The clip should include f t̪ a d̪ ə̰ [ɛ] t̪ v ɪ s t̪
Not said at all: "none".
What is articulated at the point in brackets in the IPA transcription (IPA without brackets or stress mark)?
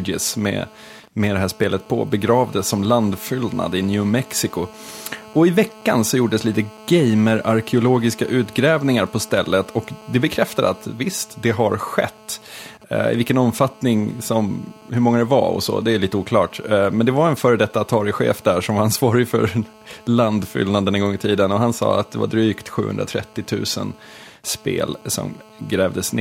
a